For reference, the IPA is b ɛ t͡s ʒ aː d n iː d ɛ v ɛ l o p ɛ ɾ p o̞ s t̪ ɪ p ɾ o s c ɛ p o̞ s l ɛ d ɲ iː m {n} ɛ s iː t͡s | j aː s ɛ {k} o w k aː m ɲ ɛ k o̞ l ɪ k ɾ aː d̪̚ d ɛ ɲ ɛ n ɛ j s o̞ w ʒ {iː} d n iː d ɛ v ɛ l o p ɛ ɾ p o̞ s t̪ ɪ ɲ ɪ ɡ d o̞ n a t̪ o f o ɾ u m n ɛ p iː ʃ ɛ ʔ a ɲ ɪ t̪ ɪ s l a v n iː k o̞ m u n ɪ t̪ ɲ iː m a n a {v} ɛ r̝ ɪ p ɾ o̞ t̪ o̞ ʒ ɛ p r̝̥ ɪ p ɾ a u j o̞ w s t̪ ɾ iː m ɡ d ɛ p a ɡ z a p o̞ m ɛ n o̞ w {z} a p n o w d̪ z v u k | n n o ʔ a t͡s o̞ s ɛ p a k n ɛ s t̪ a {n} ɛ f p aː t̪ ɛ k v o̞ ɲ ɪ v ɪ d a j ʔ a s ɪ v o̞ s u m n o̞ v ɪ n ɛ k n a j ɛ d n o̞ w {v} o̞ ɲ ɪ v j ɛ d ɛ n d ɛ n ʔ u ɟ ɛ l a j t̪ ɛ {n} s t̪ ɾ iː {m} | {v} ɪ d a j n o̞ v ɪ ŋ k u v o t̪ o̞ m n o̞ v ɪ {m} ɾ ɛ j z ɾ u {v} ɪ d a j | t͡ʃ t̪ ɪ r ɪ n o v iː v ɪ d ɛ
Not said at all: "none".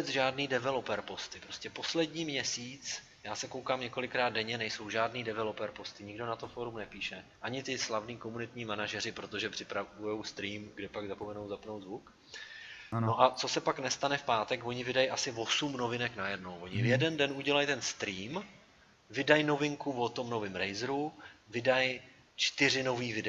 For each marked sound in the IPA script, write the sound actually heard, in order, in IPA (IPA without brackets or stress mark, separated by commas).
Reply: ɲ, k, aː, ʒ, z, n, v, n, m, v, m, v